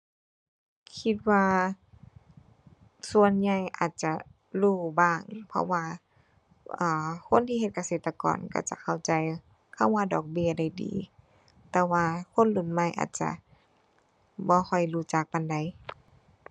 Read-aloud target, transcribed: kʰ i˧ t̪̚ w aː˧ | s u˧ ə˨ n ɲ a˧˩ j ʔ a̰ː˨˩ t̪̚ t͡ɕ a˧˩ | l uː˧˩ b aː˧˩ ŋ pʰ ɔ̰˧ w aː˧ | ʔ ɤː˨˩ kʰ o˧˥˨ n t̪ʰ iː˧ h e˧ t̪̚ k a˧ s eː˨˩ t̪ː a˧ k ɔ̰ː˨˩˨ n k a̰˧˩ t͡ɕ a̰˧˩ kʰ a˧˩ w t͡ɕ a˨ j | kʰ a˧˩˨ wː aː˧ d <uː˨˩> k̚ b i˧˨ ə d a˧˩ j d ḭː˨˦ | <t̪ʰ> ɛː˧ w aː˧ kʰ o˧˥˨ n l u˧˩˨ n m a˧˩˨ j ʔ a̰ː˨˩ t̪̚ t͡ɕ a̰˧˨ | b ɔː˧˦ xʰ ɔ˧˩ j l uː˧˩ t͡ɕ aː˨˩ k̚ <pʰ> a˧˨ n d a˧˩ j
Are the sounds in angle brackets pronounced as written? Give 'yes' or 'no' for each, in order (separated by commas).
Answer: no, no, no